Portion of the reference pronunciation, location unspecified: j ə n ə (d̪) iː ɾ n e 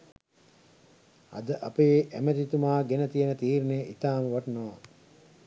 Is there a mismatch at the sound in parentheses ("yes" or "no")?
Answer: yes